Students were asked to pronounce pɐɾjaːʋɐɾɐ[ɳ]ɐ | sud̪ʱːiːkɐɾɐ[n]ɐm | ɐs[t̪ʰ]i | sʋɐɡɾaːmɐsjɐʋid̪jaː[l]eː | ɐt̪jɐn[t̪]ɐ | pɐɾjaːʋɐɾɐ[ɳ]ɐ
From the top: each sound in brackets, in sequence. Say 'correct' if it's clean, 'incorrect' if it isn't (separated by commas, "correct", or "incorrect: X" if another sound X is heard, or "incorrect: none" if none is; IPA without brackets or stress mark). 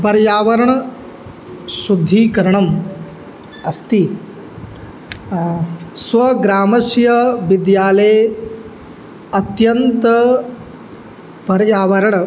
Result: correct, incorrect: ɳ, incorrect: t̪, correct, correct, correct